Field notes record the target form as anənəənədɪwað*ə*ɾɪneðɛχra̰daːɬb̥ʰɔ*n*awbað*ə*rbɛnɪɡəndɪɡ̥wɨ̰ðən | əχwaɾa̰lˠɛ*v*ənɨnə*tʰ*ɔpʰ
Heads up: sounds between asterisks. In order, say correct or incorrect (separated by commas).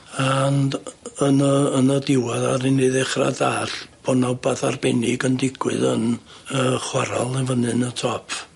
incorrect, correct, incorrect, correct, correct